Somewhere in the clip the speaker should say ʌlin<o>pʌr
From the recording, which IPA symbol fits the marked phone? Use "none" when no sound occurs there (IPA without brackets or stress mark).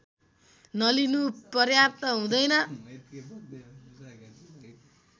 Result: u